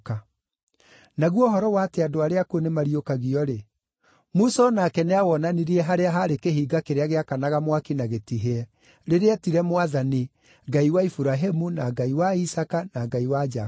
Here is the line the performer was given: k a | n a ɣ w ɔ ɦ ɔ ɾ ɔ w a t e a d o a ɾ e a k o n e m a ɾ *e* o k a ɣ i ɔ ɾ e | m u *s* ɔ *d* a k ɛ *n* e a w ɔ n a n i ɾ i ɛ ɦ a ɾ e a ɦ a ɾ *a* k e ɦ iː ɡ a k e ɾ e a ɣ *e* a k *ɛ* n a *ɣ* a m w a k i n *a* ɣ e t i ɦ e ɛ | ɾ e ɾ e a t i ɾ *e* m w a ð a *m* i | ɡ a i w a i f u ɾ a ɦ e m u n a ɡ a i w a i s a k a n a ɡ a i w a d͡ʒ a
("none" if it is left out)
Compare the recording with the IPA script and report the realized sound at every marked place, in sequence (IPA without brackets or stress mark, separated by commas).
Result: i, s, n, n, e, e, a, ɣ, a, ɛ, n